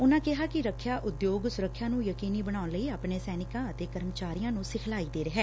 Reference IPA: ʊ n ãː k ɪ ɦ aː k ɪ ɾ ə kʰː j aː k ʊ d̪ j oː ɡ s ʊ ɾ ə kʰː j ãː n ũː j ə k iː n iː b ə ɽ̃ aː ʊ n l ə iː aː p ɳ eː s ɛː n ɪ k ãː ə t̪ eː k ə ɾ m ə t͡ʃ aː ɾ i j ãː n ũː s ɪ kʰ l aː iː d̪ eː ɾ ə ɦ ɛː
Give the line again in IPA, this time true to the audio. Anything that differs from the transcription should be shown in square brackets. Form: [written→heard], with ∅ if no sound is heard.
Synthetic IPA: ʊ n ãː k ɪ ɦ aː k ɪ ɾ ə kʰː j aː [k→ʔ] ʊ d̪ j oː ɡ s ʊ ɾ ə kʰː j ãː n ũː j ə k iː n iː b ə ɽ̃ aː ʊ n l ə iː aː p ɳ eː s ɛː n ɪ k ãː ə t̪ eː k ə ɾ m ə t͡ʃ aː ɾ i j ãː n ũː s ɪ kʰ l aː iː d̪ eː ɾ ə ɦ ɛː

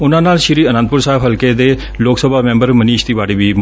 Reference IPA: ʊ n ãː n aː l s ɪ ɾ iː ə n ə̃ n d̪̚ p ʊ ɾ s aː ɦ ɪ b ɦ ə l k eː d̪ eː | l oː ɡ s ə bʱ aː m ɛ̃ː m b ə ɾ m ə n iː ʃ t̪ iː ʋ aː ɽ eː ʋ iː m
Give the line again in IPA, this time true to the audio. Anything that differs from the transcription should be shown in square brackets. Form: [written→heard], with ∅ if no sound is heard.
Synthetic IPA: ʊ n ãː n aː l [s→ʃ] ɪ ɾ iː ə n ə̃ n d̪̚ p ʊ ɾ s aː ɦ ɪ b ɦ ə l k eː d̪ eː | l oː [ɡ→k] s ə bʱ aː m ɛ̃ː m b ə ɾ m ə n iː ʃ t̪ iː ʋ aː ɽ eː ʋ iː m

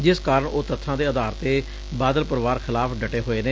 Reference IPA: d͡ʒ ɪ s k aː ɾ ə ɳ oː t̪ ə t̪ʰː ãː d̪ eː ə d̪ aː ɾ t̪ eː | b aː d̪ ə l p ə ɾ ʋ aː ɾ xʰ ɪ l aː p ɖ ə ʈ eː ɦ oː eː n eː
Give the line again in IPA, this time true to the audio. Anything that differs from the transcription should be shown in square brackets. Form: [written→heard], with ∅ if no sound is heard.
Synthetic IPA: d͡ʒ ɪ s k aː ɾ ə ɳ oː t̪ ə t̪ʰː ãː d̪ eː ə d̪ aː ɾ t̪ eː | b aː d̪ ə l p ə ɾ ʋ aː ɾ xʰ ɪ l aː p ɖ ə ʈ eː ɦ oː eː n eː

